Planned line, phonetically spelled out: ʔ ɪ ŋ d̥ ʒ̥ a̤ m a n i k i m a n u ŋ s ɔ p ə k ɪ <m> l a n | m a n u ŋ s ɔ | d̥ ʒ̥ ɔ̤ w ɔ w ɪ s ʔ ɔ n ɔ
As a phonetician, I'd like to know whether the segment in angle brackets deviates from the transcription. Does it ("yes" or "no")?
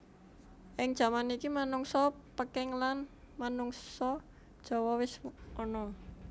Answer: yes